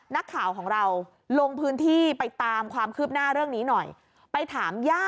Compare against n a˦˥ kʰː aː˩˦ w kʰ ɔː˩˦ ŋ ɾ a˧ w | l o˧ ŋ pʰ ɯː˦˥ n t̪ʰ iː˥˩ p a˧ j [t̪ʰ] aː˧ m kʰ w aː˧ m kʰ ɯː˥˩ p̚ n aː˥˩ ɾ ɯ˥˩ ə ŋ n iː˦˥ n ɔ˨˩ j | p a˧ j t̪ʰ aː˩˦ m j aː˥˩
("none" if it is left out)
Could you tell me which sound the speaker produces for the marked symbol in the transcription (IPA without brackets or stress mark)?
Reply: t̪